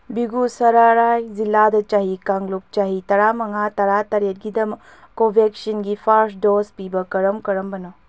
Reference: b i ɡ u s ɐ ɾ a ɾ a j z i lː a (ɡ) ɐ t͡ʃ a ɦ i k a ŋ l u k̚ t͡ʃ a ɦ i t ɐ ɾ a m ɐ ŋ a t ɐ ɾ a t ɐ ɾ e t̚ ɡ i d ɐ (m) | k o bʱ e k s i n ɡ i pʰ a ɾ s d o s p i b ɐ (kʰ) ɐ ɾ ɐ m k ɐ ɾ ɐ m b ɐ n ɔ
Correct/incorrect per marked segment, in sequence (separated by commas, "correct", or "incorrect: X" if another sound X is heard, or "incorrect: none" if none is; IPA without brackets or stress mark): incorrect: d, correct, incorrect: k